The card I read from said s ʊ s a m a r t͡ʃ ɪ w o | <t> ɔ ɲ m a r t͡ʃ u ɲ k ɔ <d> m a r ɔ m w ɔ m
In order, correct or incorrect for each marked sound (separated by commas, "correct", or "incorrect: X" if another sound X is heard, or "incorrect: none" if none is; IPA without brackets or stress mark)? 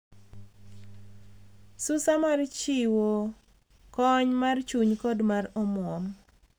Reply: incorrect: k, correct